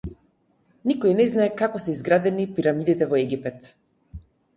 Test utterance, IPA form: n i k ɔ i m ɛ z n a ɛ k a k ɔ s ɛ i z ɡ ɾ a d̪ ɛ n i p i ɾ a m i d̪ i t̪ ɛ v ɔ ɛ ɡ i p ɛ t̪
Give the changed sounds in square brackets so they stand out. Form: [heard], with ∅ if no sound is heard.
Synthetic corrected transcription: n i k ɔ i [n] ɛ z n a ɛ k a k ɔ s ɛ i z ɡ ɾ a d̪ ɛ n i p i ɾ a m i d̪ i t̪ ɛ v ɔ ɛ ɡ i p ɛ t̪